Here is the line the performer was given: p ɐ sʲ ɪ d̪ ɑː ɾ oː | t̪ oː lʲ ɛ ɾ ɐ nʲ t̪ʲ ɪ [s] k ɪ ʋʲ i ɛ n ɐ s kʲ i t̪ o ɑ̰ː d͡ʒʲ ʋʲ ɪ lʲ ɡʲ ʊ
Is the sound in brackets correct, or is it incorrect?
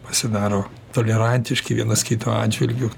incorrect